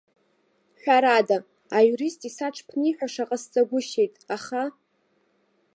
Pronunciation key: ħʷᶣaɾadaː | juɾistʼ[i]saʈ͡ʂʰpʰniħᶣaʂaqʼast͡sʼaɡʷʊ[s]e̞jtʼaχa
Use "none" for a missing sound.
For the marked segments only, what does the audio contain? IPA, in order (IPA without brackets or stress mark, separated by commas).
i, ʃ